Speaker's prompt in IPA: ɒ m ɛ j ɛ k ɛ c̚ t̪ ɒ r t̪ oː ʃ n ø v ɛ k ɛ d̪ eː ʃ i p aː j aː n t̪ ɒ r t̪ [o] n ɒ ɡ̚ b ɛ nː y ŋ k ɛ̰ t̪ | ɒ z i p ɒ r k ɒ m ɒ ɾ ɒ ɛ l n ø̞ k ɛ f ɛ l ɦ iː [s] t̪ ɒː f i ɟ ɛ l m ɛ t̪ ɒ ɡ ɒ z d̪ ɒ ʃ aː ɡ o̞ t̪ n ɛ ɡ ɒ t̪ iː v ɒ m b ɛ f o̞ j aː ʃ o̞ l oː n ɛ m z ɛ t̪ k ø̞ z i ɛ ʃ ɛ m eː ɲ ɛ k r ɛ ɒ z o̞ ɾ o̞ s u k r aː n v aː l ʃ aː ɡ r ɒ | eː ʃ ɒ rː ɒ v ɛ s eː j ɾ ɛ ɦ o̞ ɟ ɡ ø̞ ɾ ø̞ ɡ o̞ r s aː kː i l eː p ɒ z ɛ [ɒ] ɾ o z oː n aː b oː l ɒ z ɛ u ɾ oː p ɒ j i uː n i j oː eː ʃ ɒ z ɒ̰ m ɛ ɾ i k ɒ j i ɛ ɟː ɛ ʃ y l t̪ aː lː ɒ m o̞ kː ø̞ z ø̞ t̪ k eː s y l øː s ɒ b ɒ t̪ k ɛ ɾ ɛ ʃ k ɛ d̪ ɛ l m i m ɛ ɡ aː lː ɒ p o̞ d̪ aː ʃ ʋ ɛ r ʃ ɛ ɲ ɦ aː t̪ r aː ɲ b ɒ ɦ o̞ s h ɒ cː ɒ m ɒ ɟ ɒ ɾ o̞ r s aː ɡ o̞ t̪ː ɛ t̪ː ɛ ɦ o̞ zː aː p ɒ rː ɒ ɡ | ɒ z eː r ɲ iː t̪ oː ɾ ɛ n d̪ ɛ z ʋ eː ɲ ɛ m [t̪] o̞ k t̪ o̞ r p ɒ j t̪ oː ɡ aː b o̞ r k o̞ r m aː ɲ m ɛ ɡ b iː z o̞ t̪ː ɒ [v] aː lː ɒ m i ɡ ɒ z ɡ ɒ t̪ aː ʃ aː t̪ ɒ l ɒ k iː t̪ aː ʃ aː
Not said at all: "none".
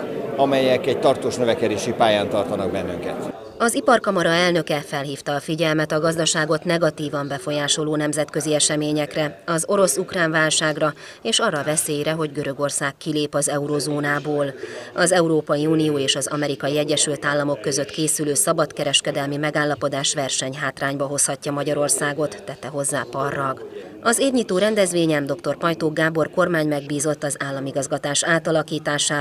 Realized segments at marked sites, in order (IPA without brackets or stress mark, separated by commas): ɒ, f, u, d̪, z